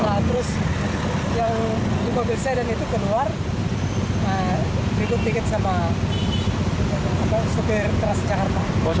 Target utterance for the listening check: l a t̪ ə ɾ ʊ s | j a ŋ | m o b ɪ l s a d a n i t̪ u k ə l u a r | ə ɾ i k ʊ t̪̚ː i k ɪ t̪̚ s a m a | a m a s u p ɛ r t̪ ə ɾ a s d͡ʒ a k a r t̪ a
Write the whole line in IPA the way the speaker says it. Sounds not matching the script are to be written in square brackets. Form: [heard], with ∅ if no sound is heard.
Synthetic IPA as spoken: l a t̪ ə ɾ ʊ s | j a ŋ | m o b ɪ l s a d a n i t̪ u k ə l u a r | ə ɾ i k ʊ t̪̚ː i k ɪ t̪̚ s a m a | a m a s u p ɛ r t̪ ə ɾ a s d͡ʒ a k a r t̪ a

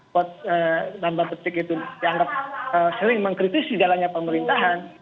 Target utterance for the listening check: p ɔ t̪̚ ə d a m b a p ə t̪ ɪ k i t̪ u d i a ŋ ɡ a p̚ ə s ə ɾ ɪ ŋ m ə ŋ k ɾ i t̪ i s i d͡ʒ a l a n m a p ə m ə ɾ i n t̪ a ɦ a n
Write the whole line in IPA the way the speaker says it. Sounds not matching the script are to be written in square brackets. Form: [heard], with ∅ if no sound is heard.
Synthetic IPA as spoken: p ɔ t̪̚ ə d a m b a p ə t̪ ɪ k i t̪ u d i a ŋ ɡ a p̚ ə s ə ɾ ɪ ŋ m ə ŋ k ɾ i t̪ i s i d͡ʒ a l a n [ɲ] a p ə m ə ɾ i n t̪ a ɦ a n

